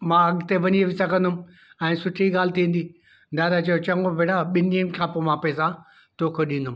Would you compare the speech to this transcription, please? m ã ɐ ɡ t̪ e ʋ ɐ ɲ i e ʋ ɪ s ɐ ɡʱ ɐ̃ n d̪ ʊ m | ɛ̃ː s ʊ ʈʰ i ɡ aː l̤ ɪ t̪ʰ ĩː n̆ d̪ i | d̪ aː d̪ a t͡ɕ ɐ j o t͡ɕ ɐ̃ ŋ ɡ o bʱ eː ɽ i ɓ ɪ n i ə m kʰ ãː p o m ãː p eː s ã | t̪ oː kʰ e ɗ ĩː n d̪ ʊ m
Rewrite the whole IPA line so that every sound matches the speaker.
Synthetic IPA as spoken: m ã ɐ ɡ t̪ e ʋ ɐ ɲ i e ʋ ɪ s ɐ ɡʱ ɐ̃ n d̪ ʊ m | ɛ̃ː s ʊ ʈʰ i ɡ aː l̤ ɪ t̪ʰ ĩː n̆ d̪ i | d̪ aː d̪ a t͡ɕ ɐ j o t͡ɕ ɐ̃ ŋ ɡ o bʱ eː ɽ a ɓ ɪ n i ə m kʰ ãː p o m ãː p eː s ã | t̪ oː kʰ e ɗ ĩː n d̪ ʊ m